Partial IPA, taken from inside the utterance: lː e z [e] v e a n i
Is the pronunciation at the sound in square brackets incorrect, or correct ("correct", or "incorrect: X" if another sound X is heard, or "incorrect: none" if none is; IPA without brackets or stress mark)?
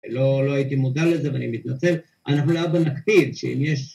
correct